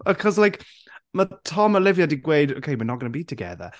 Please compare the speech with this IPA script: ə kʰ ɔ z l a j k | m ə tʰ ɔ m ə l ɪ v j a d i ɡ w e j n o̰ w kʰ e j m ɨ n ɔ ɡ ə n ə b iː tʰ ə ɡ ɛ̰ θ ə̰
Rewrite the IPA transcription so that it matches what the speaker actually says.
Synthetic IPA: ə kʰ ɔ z l a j k | m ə tʰ ɔ m ə l ɪ v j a d i ɡ w e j d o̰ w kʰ e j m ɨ n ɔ ɡ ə n ə b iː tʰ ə ɡ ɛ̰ ð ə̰